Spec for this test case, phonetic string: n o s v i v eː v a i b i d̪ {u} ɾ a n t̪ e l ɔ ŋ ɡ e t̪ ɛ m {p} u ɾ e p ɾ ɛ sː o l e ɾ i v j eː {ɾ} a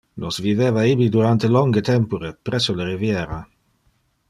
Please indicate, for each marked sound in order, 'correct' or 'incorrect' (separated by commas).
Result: correct, correct, correct